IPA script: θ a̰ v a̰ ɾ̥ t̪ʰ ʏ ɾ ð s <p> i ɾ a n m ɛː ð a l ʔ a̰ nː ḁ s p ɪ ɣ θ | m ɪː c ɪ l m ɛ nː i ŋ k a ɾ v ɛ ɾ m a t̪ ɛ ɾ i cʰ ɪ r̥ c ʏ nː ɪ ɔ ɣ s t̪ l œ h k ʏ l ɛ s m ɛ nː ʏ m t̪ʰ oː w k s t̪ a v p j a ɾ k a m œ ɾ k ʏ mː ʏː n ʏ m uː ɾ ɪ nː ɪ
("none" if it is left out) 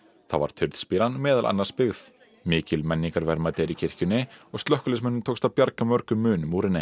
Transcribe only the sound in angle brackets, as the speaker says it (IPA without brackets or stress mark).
p